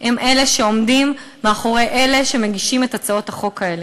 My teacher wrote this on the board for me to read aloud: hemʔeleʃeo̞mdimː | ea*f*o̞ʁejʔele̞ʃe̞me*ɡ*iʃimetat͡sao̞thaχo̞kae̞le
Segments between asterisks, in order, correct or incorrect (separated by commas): incorrect, correct